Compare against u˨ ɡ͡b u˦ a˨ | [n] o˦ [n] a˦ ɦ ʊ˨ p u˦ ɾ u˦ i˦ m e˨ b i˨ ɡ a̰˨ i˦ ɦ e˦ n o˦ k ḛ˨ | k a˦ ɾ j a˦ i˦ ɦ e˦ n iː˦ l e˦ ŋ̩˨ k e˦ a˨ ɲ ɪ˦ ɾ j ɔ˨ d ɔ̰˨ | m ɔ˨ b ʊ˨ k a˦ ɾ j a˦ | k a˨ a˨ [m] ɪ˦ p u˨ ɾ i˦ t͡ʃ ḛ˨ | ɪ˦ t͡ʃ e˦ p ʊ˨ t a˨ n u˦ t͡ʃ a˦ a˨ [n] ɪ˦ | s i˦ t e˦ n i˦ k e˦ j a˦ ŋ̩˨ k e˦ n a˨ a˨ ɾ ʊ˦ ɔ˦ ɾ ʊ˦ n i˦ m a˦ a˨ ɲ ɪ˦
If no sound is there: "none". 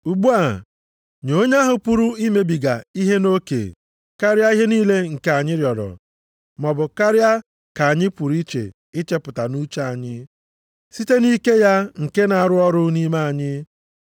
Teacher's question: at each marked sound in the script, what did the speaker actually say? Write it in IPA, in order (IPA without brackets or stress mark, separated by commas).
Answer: ɲ, ɲ, ɲ, ɲ